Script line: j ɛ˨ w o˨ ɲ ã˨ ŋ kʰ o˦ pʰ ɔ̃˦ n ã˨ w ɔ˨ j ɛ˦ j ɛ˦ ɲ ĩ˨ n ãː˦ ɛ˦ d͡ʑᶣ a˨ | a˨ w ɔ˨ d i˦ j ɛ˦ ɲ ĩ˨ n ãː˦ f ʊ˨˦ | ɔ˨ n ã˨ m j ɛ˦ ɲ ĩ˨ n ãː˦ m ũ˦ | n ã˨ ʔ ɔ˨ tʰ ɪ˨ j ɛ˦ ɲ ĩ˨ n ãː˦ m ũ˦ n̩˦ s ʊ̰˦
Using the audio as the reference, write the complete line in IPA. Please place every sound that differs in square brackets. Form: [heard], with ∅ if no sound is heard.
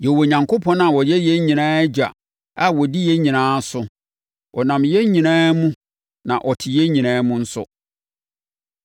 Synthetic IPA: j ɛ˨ w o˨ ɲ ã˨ ŋ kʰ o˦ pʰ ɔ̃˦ n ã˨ w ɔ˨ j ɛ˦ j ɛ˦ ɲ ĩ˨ n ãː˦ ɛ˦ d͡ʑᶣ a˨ | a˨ w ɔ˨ d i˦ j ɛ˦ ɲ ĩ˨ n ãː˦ [s] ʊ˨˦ | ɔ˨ n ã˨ m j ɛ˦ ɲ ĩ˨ n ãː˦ m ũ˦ | n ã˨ ʔ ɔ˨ tʰ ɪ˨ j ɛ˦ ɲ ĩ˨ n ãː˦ m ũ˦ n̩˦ s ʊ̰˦